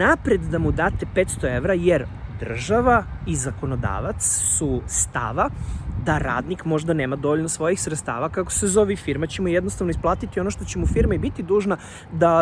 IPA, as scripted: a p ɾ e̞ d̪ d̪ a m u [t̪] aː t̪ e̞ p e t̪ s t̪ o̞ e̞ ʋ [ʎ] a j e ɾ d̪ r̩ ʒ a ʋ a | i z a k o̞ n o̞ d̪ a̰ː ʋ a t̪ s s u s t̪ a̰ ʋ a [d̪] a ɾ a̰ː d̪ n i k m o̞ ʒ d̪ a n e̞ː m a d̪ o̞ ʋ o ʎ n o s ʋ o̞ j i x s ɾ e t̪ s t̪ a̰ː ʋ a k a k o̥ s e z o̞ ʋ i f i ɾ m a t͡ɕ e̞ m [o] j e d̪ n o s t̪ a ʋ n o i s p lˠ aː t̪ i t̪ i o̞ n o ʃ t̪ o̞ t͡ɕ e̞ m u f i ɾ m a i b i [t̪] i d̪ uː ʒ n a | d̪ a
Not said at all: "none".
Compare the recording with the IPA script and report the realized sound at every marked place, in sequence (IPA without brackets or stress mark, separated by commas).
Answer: d̪, ɾ, d̪, u, t̪